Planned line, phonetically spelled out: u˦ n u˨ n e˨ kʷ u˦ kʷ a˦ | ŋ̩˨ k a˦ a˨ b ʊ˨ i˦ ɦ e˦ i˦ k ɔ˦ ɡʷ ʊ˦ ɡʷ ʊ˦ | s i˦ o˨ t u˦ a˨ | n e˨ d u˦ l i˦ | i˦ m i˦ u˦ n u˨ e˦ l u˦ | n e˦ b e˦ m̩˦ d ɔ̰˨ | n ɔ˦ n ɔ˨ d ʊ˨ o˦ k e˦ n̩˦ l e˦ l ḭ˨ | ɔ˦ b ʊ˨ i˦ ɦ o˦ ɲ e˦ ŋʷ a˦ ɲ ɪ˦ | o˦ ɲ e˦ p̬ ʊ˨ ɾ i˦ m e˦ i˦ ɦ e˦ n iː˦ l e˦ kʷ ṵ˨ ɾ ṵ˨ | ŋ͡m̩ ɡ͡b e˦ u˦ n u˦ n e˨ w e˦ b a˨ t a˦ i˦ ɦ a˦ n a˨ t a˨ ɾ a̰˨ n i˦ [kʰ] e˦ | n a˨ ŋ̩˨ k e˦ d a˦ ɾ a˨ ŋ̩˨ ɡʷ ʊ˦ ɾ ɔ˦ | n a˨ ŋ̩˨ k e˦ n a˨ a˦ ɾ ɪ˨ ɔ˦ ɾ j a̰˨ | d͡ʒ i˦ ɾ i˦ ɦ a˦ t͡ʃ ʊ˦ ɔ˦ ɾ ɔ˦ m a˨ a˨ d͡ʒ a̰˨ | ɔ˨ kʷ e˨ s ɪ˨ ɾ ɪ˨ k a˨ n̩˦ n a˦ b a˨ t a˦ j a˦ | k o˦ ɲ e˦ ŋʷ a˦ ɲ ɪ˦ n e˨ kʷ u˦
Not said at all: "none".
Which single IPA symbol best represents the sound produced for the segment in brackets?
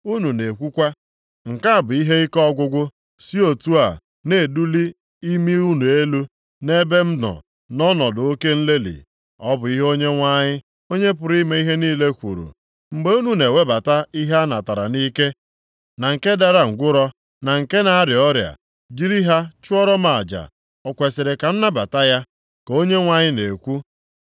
k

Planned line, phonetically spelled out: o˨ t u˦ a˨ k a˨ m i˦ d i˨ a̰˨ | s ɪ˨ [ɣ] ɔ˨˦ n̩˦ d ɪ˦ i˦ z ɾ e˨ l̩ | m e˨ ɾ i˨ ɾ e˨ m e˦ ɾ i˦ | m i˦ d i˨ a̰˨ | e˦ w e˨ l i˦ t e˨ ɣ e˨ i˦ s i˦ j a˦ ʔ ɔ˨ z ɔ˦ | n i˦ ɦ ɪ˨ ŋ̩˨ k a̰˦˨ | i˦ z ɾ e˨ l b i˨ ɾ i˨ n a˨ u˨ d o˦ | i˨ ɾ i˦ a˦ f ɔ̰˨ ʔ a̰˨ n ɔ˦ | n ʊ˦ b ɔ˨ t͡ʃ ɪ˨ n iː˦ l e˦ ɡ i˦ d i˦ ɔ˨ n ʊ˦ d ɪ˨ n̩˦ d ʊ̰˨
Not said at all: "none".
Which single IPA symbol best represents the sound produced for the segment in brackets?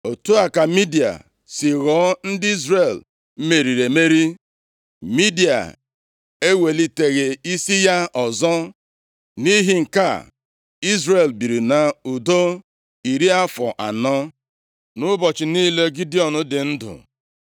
ɣ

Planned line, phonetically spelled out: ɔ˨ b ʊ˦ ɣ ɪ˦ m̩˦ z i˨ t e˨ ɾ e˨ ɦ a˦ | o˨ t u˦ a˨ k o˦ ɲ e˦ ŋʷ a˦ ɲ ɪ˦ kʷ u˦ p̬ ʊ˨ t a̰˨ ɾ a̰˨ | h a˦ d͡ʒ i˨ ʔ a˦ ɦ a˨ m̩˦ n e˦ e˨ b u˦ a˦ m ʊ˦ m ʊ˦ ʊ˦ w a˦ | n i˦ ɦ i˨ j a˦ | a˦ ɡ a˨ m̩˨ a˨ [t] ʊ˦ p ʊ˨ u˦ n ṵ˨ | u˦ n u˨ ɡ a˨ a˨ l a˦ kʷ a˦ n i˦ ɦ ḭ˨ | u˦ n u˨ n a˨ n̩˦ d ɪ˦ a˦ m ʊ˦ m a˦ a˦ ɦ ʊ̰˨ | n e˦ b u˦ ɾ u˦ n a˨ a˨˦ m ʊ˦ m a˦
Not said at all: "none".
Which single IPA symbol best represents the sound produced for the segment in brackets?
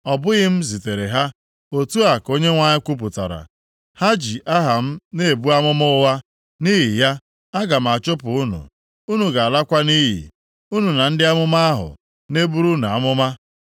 t͡ʃ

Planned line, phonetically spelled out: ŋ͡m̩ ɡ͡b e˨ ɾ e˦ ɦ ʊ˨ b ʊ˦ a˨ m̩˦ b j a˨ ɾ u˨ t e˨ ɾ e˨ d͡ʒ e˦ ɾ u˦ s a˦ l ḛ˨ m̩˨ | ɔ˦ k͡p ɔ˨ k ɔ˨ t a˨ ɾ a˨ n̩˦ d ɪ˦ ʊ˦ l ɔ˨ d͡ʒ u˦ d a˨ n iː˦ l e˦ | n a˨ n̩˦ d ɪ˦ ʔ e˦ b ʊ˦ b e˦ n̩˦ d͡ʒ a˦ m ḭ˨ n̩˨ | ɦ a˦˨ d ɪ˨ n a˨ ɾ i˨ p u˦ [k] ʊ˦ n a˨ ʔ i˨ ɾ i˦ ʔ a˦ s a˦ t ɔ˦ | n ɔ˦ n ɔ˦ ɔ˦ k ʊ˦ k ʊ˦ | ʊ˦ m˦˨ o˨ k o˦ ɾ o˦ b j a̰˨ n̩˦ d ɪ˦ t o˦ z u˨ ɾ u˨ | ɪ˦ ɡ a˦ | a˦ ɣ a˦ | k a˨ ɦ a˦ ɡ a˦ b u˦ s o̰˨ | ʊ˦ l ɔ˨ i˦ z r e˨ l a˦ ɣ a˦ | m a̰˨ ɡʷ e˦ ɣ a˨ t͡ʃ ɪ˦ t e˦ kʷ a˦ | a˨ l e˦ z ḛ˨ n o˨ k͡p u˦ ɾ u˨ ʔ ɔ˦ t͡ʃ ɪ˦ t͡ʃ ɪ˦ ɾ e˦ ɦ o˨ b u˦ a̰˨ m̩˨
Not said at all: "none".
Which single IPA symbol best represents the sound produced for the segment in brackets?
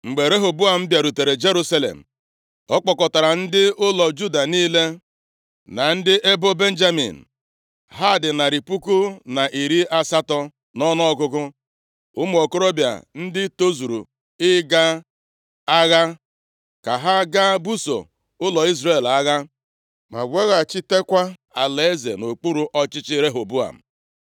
k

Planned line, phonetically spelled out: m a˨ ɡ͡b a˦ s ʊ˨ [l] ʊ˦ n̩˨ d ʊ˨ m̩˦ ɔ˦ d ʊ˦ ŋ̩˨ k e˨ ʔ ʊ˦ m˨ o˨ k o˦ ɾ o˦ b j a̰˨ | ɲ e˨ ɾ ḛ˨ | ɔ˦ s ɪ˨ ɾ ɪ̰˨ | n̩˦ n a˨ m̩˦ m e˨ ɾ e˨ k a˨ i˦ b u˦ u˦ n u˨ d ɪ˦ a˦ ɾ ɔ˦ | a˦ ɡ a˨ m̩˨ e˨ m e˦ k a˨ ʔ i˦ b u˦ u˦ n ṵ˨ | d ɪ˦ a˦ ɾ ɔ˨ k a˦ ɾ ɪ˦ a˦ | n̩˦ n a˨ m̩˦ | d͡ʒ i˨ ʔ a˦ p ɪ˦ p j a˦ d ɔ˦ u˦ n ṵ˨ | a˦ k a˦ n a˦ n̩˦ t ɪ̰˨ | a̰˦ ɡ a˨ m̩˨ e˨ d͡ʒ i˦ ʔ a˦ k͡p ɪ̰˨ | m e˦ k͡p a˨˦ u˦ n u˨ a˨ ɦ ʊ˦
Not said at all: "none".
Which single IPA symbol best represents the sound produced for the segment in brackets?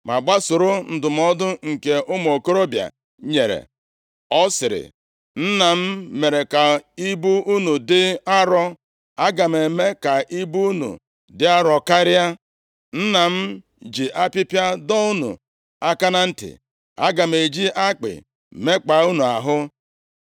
ɾ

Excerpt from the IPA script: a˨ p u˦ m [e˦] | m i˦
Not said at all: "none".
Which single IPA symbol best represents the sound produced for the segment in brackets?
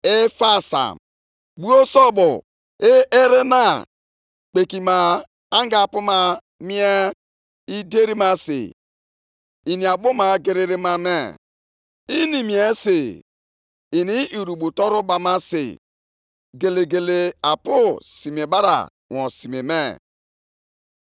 a˦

